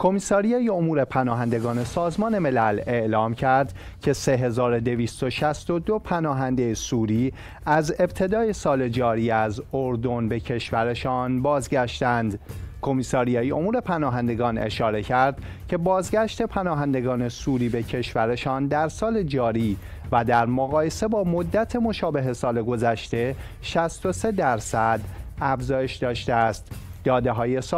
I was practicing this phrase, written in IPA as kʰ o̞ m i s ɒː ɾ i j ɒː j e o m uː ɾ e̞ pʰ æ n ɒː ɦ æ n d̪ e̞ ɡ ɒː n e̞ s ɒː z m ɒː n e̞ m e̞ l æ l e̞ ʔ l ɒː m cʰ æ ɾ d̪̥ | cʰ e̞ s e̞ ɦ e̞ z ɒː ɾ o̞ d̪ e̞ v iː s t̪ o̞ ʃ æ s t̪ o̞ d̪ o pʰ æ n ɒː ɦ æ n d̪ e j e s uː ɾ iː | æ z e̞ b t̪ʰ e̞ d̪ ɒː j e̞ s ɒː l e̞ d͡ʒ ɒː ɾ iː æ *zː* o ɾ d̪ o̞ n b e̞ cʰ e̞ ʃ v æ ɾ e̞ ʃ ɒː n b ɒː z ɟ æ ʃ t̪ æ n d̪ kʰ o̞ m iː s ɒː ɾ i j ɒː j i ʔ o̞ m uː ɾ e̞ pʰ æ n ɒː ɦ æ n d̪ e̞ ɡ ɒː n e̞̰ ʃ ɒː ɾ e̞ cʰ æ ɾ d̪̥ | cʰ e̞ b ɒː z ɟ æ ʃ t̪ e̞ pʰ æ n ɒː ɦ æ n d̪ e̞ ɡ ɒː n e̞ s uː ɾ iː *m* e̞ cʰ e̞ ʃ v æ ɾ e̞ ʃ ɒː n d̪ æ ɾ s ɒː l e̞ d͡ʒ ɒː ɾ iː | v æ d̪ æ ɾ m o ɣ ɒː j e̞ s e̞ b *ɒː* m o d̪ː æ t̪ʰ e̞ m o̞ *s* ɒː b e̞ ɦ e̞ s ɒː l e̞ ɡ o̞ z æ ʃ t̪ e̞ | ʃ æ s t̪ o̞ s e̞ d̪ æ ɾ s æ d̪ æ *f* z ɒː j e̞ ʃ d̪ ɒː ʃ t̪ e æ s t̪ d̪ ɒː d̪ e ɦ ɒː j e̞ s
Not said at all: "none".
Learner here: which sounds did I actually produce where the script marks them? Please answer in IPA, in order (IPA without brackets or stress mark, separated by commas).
z, b, ɒː, ʃ, f